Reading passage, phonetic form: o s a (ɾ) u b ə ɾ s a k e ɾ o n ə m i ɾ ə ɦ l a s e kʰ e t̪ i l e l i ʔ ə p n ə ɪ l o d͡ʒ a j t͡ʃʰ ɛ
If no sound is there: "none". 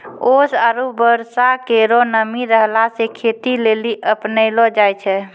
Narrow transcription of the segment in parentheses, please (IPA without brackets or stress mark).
ɾ